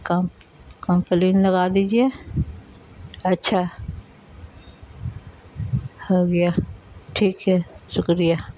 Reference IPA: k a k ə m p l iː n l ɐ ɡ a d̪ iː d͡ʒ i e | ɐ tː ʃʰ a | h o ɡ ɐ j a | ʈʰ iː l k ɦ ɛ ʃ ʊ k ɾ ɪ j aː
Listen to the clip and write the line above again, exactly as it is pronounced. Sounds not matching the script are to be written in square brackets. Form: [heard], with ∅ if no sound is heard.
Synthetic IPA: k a k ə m p l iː n l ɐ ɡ a d̪ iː d͡ʒ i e | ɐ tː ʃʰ a | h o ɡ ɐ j a | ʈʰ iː [∅] k ɦ ɛ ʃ ʊ k ɾ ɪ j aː

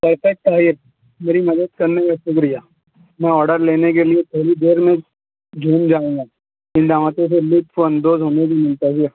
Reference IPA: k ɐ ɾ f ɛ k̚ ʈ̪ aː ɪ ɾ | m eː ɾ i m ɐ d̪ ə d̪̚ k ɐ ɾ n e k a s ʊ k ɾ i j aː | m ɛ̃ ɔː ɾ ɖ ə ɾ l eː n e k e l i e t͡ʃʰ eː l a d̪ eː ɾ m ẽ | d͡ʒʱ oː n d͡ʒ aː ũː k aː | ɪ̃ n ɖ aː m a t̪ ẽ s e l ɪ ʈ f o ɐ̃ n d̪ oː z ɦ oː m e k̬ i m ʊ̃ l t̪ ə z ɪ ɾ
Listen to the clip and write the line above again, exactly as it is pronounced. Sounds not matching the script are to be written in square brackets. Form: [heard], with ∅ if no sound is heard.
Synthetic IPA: [p] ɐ ɾ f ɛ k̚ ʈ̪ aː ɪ ɾ | m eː ɾ i m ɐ d̪ ə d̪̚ k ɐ ɾ n e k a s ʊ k ɾ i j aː | m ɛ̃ ɔː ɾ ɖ ə ɾ l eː n e k e l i e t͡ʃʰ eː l [i] d̪ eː ɾ m ẽ | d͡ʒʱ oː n d͡ʒ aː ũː [ɡ] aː | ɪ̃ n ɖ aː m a t̪ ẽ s e l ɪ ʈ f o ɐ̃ n d̪ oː z ɦ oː [n] e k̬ i m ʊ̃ l t̪ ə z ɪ ɾ

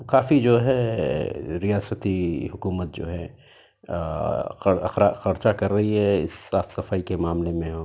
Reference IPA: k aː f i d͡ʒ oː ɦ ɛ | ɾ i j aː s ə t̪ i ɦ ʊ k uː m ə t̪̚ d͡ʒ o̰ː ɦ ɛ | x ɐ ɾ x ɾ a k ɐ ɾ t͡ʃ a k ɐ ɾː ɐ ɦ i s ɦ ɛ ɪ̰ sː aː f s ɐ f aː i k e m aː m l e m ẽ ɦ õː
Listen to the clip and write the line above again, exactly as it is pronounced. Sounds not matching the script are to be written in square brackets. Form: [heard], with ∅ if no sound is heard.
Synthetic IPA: k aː f i d͡ʒ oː ɦ ɛ | ɾ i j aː s ə t̪ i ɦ ʊ k uː m ə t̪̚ d͡ʒ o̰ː ɦ ɛ | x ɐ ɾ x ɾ a [x] ɐ ɾ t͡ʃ a k ɐ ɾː ɐ ɦ i [∅] ɦ ɛ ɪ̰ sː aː f s ɐ f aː i k e m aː m l e m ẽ ɦ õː

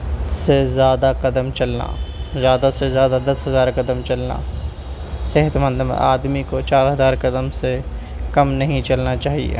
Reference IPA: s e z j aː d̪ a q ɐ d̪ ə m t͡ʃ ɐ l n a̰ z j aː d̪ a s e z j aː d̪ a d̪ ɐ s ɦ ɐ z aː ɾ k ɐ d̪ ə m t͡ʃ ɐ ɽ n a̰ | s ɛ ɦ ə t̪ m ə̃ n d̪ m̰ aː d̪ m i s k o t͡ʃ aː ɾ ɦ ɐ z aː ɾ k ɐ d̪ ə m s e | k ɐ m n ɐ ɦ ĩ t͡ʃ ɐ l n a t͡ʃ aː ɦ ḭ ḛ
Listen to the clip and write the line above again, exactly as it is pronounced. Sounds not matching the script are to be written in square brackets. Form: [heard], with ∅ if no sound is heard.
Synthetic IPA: s e z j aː d̪ a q ɐ d̪ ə m t͡ʃ ɐ l n a̰ z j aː d̪ a s e z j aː d̪ a d̪ ɐ s ɦ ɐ z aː ɾ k ɐ d̪ ə m t͡ʃ ɐ [l] n a̰ | s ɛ ɦ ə t̪ m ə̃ n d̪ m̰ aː d̪ m i [∅] k o t͡ʃ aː ɾ ɦ ɐ z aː ɾ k ɐ d̪ ə m s e | k ɐ m n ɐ ɦ ĩ t͡ʃ ɐ l n a t͡ʃ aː ɦ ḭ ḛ

